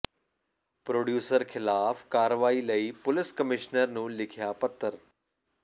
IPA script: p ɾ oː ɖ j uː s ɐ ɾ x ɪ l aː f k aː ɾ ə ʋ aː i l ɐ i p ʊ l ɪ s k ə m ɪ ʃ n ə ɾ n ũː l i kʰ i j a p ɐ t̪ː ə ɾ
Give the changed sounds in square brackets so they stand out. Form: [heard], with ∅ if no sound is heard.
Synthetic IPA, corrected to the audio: p ɾ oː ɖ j uː s [ə] ɾ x ɪ l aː f k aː ɾ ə ʋ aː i l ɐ i p ʊ l ɪ s k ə m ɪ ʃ n ə ɾ n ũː l [ɪ] kʰ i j a p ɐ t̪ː ə ɾ

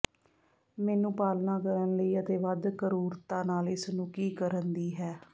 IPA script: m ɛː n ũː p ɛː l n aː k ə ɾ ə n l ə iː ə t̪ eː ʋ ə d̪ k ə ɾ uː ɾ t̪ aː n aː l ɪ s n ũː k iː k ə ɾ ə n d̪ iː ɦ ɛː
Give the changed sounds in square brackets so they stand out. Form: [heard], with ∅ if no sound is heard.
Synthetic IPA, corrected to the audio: m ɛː n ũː p [aː] l n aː k ə ɾ ə n l ə iː ə t̪ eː ʋ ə d̪ k ə ɾ uː ɾ t̪ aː n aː l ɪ s n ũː k iː k ə ɾ ə n d̪ iː ɦ ɛː

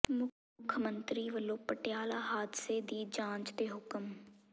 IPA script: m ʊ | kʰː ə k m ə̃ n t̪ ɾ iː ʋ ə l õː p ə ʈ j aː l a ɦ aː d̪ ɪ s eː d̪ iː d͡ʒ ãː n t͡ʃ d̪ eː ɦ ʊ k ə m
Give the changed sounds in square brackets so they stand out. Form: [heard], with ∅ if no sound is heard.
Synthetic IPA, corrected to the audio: m ʊ | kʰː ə [∅] m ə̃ n t̪ ɾ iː ʋ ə l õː p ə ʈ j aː l a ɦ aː d̪ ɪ s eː d̪ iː d͡ʒ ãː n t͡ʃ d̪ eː ɦ ʊ k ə m

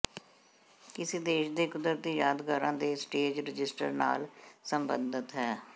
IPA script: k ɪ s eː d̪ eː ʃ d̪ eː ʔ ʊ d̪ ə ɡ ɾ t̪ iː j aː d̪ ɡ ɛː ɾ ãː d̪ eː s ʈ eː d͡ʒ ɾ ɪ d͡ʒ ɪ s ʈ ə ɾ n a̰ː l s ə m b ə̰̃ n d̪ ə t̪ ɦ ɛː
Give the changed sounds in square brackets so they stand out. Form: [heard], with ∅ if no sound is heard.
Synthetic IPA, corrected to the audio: k ɪ s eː d̪ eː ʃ d̪ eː [k] ʊ d̪ ə [∅] ɾ t̪ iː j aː d̪ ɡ [aː] ɾ ãː d̪ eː s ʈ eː d͡ʒ ɾ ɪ d͡ʒ ɪ s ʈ ə ɾ n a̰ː l s ə m b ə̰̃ n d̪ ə t̪ ɦ ɛː

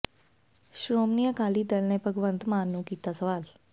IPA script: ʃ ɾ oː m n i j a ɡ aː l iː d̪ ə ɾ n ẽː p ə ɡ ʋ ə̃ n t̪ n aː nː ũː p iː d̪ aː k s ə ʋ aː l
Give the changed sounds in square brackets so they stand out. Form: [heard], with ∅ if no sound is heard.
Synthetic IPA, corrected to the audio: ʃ ɾ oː m n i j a [k] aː l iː d̪ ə [l] n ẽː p ə ɡ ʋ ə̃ n t̪ [m] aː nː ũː [k] iː [t̪] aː [∅] s ə ʋ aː l

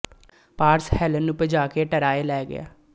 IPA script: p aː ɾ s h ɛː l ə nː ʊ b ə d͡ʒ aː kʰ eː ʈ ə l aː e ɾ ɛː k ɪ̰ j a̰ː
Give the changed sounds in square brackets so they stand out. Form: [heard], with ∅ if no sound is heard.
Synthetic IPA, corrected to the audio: p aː ɾ s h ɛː l ə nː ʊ [p] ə d͡ʒ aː [k] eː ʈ ə [ɾ] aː e [l] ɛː [ɡ] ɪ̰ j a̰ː

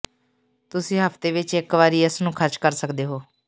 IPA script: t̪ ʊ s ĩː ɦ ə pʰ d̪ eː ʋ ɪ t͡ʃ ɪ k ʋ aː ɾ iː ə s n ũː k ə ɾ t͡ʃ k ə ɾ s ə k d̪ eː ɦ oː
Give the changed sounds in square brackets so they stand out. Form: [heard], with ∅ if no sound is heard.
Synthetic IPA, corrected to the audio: t̪ ʊ s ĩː ɦ ə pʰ [t̪] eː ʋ ɪ t͡ʃ ɪ k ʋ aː ɾ iː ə s n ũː [kʰ] ə ɾ t͡ʃ k ə ɾ s ə k d̪ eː ɦ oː

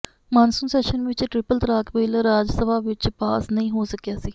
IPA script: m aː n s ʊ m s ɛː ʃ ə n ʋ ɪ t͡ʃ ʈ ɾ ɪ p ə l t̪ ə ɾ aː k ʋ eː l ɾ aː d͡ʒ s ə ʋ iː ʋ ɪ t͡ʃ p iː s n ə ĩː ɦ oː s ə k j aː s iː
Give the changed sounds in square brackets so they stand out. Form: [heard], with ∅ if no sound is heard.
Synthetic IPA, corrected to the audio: m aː n s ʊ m s ɛː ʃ ə n ʋ ɪ t͡ʃ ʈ ɾ ɪ p ə l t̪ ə ɾ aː k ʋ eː l ɾ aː d͡ʒ s ə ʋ [aː] ʋ ɪ t͡ʃ p [aː] s n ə ĩː ɦ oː s ə k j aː s iː

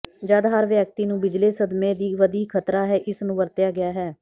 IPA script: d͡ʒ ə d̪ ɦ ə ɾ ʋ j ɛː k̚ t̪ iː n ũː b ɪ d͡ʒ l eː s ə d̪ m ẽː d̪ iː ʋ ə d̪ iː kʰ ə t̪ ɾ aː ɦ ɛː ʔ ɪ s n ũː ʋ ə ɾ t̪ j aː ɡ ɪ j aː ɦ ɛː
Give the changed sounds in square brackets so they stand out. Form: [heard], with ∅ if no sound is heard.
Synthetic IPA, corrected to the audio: d͡ʒ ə d̪ ɦ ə ɾ ʋ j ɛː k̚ t̪ iː n ũː b ɪ d͡ʒ l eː s ə d̪ m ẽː d̪ iː ʋ ə d̪ iː kʰ ə t̪ ɾ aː ɦ ɛː ʔ ɪ s n ũː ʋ ə ɾ t̪ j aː ɡ ɪ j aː ɦ ɛː

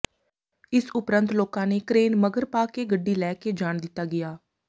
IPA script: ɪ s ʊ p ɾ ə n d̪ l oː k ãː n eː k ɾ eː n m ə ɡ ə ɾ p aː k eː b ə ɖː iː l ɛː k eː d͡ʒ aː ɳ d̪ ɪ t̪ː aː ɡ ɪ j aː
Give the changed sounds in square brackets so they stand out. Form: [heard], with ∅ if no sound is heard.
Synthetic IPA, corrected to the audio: ɪ s ʊ p ɾ ə n [t̪] l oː k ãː n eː k ɾ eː n m ə ɡ ə ɾ p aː k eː [ɡ] ə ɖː iː l ɛː k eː d͡ʒ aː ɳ d̪ ɪ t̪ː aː ɡ ɪ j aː

